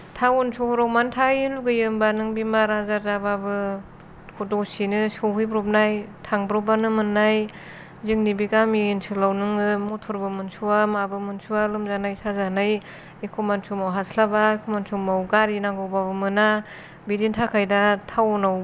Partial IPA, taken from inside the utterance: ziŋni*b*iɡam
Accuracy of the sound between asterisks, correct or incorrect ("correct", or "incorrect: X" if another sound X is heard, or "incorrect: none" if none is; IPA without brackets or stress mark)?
correct